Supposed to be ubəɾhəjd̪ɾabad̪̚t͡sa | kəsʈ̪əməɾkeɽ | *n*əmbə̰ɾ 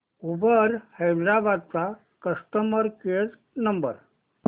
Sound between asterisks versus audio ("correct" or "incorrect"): correct